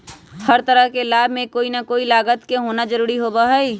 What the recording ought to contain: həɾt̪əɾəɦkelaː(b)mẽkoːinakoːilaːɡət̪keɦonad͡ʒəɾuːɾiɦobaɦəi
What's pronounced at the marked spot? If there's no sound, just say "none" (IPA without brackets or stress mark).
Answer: b